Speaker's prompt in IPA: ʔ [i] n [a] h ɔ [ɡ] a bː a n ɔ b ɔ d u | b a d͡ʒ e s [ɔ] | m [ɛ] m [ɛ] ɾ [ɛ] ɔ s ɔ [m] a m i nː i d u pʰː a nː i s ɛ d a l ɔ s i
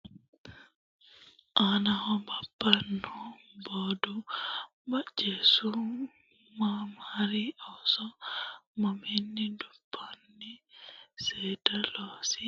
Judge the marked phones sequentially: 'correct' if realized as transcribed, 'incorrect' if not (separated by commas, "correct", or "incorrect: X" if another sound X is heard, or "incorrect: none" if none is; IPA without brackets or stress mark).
incorrect: a, correct, incorrect: b, incorrect: u, incorrect: a, incorrect: a, incorrect: i, correct